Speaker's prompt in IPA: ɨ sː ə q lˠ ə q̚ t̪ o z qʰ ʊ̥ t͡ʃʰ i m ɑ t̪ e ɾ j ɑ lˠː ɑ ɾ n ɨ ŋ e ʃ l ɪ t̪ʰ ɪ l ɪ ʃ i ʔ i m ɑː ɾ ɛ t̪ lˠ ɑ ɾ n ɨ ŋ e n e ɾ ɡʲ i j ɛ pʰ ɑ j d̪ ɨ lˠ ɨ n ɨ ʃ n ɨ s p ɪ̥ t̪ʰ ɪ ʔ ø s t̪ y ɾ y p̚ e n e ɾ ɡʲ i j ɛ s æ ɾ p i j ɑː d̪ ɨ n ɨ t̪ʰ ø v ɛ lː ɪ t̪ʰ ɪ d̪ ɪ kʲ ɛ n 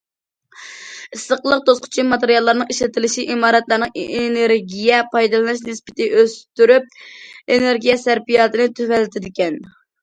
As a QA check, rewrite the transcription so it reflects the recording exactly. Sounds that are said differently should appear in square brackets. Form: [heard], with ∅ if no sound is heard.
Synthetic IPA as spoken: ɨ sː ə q lˠ ə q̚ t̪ o [s] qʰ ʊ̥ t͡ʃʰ i m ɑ t̪ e ɾ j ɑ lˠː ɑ ɾ n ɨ ŋ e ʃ l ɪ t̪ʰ ɪ l ɪ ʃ i ʔ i m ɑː ɾ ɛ t̪ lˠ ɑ ɾ n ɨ ŋ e n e ɾ ɡʲ i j ɛ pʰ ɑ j d̪ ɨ lˠ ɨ n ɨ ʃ n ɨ s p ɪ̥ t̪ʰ ɪ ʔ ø s t̪ y ɾ y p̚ e n e ɾ ɡʲ i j ɛ s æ ɾ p i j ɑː [t̪] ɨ n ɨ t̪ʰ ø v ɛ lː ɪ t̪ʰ ɪ d̪ ɪ kʲ ɛ n